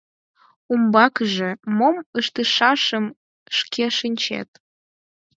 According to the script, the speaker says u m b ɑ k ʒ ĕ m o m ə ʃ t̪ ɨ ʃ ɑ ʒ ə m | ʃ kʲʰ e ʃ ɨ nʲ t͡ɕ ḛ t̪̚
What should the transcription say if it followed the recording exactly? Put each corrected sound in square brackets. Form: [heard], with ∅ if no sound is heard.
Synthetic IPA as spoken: u m b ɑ k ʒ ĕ m o m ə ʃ t̪ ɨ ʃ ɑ [ʃ] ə m | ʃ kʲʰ e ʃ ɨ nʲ t͡ɕ ḛ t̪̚